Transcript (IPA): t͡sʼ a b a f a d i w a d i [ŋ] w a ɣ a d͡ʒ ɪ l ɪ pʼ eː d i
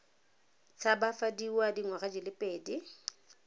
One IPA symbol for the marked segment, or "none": ŋ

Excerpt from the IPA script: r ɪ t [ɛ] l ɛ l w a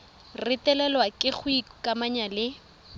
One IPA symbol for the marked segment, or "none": ɛ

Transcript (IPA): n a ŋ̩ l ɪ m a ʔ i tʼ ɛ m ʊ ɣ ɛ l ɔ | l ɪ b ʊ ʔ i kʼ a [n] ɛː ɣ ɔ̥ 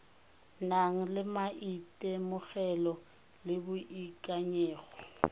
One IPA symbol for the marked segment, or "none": ɲ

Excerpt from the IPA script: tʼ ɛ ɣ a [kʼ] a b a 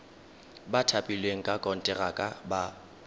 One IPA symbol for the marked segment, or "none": kʼ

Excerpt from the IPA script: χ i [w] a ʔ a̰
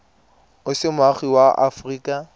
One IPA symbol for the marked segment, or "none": w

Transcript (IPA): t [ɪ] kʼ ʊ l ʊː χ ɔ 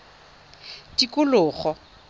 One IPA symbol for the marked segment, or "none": i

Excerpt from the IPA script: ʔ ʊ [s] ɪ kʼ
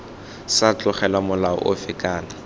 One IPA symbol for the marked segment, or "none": f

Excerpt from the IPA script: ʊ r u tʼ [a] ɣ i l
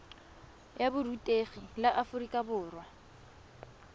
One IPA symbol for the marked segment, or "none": e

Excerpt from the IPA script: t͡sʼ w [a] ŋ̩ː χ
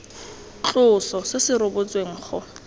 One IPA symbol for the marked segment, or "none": e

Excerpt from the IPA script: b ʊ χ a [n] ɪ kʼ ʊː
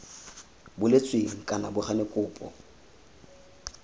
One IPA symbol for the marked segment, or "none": n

